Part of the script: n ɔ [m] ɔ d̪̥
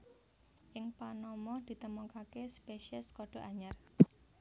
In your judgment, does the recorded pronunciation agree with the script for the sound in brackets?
yes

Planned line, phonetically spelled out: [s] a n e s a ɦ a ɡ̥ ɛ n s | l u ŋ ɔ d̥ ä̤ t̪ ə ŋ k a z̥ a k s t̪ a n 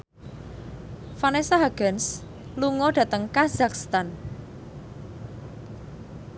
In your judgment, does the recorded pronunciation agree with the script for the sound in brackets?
no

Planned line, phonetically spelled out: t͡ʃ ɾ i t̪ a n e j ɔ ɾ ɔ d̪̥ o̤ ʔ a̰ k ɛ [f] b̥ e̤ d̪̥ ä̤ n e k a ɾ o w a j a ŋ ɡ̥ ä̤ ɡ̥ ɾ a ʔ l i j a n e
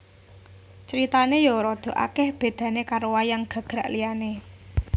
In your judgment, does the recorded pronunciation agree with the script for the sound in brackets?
no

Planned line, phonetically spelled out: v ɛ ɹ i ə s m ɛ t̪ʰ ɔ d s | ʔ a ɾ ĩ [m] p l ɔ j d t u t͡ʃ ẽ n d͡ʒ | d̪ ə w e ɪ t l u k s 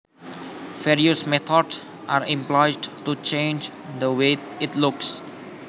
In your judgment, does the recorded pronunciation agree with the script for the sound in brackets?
yes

